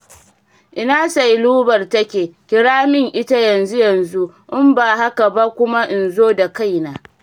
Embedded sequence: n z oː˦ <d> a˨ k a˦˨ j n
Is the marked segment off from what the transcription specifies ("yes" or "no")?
no